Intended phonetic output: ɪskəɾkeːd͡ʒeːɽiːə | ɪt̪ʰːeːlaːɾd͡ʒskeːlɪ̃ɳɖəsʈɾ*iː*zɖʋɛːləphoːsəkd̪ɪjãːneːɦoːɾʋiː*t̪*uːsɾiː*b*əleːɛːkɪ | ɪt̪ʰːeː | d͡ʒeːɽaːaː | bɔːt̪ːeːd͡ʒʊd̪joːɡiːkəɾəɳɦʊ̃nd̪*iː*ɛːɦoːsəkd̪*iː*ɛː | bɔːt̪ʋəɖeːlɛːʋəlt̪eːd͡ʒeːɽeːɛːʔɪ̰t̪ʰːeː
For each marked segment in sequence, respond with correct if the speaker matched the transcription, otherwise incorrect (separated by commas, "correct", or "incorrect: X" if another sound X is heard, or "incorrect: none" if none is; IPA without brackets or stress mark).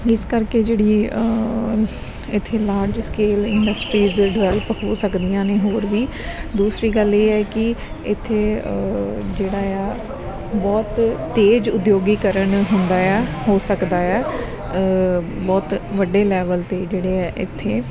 correct, incorrect: d̪, incorrect: ɡ, incorrect: aː, incorrect: aː